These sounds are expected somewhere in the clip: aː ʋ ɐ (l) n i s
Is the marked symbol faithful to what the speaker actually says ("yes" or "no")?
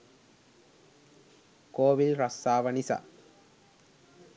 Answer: no